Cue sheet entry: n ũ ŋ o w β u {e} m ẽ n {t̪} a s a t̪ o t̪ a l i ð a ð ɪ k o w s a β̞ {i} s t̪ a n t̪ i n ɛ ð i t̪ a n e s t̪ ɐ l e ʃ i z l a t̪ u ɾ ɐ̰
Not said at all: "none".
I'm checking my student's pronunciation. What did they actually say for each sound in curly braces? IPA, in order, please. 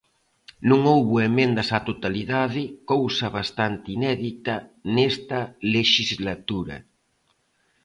e, d̪, a

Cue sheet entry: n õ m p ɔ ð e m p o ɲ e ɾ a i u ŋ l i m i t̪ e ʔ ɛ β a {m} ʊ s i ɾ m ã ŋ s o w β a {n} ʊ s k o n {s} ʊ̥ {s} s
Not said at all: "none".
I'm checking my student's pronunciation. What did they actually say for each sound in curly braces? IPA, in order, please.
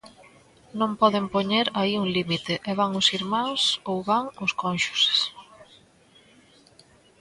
ŋ, ŋ, ʃ, s

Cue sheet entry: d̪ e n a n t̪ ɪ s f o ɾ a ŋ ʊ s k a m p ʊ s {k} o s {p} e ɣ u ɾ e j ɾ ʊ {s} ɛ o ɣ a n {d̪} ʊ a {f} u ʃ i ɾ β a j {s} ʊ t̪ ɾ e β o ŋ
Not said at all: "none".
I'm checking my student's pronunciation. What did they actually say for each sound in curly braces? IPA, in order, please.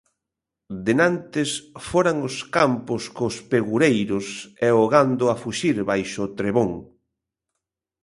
k, p, s, d̪, f, ʃ

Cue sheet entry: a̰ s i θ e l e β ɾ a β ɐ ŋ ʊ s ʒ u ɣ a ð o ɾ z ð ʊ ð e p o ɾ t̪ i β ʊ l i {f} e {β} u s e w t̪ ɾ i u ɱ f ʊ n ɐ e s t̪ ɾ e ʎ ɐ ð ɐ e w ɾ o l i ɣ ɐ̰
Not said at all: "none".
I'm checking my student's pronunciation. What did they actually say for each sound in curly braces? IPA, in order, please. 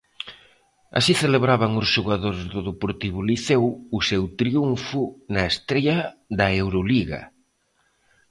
θ, w

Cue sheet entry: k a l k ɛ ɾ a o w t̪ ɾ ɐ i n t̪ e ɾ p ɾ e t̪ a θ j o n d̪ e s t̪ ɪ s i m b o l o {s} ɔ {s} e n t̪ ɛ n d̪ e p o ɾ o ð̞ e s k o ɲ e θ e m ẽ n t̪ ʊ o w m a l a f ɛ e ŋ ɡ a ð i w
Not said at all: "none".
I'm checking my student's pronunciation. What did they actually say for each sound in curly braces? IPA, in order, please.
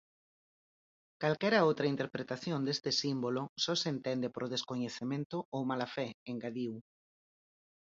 s, s

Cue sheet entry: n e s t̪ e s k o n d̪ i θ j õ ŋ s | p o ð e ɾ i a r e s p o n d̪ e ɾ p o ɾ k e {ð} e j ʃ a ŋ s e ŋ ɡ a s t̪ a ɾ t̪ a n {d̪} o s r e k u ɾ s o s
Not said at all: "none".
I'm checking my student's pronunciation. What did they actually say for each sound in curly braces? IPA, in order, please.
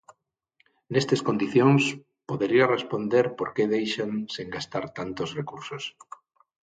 ð, t̪

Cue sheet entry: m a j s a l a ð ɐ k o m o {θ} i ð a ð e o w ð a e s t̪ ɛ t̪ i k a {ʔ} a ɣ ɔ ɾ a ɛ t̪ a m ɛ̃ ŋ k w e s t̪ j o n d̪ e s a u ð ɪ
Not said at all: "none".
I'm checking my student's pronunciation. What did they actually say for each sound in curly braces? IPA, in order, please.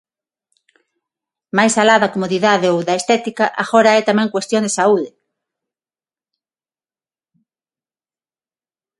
ð, ʔ

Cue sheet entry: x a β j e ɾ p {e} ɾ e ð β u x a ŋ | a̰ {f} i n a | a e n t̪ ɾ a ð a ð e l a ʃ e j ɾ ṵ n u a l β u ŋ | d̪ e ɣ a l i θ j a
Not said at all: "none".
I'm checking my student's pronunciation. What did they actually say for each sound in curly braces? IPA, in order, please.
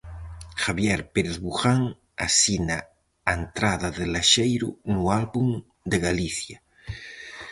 e, s

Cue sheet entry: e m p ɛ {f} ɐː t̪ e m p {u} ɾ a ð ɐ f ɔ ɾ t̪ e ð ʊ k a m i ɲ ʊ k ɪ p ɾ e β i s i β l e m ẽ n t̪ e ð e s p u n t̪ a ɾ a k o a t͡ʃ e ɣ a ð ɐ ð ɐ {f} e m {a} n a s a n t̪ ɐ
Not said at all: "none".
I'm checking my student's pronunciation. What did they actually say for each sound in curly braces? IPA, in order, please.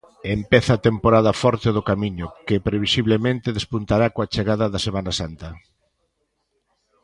θ, o, s, a

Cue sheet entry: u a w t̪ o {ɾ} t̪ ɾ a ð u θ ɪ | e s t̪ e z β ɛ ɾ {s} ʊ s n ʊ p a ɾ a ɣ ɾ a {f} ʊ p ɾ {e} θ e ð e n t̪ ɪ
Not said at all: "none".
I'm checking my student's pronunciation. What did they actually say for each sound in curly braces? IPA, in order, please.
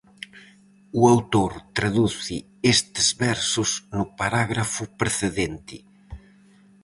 ɾ, s, f, e

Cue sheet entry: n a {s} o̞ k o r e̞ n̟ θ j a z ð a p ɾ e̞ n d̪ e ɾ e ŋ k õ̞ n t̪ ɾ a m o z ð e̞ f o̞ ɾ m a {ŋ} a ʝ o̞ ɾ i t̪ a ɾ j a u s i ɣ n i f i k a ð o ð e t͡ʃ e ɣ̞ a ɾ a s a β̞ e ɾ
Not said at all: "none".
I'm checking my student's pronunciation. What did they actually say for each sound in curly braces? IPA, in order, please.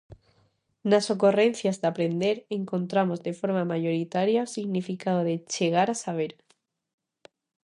s, m

